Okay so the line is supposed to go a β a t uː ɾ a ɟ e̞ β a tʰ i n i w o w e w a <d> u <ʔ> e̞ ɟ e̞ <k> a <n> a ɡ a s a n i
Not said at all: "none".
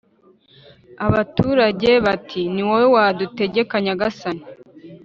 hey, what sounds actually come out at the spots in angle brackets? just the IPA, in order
d, t, k, ɲ

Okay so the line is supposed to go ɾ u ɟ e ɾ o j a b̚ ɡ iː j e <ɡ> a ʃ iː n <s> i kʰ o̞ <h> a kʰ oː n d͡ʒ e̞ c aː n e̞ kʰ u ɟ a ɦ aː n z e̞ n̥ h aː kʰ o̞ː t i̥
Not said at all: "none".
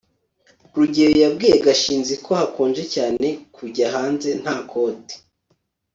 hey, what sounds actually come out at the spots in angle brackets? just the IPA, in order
ɡ, z, h

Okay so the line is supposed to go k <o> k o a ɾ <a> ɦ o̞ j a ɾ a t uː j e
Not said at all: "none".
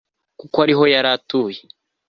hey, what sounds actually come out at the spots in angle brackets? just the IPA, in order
u, i

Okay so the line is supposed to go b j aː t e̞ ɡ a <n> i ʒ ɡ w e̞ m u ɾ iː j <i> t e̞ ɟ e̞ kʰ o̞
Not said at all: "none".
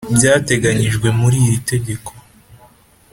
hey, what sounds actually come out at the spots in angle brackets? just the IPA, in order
ɲ, i

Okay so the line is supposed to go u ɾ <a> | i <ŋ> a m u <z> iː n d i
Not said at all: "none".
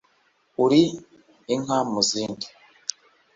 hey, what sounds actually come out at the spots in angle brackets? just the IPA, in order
i, ŋ, z

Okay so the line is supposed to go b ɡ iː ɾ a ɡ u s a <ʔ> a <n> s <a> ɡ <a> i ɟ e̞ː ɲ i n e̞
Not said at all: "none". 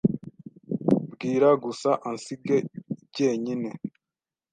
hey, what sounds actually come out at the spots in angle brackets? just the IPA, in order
ʔ, n, i, e

